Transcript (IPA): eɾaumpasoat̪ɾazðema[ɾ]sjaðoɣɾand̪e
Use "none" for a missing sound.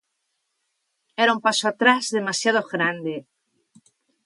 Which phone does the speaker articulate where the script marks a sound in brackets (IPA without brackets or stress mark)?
none